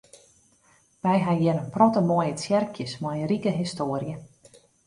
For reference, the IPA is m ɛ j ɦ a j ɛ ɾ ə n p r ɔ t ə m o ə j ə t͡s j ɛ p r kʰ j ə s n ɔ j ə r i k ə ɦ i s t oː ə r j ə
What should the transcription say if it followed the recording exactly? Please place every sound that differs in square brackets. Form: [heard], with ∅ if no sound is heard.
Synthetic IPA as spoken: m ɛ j ɦ a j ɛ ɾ ə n p r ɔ t ə m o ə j ə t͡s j ɛ [∅] r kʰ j ə s [m] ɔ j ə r i k ə ɦ i s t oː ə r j ə